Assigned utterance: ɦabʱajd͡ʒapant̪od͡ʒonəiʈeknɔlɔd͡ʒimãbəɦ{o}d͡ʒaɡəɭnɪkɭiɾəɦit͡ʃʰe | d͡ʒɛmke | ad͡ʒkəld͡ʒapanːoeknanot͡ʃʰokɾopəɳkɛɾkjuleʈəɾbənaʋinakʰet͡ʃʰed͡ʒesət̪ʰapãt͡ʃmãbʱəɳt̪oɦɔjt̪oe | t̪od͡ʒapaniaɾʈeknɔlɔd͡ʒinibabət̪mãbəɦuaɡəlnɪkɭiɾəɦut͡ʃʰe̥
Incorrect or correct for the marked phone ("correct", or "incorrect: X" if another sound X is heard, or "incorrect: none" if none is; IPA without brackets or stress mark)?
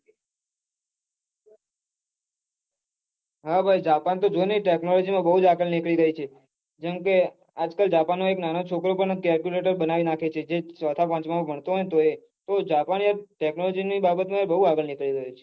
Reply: incorrect: u